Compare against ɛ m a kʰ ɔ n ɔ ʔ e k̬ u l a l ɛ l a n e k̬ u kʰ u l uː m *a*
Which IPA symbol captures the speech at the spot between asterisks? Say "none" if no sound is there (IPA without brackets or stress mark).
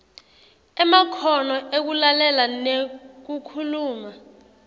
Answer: a